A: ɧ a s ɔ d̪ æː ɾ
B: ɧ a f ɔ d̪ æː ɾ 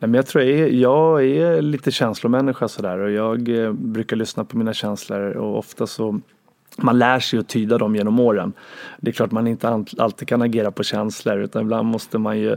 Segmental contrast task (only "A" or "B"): A